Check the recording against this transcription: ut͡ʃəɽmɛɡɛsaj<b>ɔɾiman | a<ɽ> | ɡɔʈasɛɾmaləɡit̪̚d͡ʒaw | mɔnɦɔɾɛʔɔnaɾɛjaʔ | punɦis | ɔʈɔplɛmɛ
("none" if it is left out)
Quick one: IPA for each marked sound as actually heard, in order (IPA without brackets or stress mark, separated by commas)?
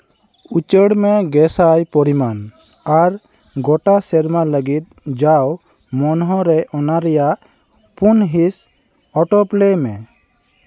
p, ɾ